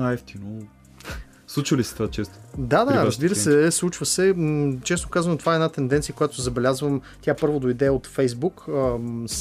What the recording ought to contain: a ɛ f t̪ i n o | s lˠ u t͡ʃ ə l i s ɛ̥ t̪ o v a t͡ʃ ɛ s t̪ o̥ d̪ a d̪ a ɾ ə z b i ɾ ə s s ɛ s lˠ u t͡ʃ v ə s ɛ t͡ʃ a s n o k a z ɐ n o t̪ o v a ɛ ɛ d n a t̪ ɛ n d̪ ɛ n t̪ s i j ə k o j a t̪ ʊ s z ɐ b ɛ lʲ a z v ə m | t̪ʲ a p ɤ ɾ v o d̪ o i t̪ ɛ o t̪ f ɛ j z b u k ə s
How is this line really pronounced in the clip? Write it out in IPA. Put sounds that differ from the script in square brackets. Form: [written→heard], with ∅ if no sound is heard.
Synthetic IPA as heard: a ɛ f t̪ i n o | s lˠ u t͡ʃ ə l i s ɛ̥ t̪ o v a t͡ʃ ɛ s t̪ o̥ d̪ a d̪ a ɾ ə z b i ɾ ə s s ɛ s lˠ u t͡ʃ v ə s ɛ t͡ʃ [a→ɛ] s n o k a z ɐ n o t̪ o v a ɛ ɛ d n a t̪ ɛ n d̪ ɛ n t̪ s i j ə k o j a t̪ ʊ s z ɐ b ɛ lʲ a z v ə m | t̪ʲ a p ɤ ɾ v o d̪ o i [t̪→d̪] ɛ o t̪ f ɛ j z b u k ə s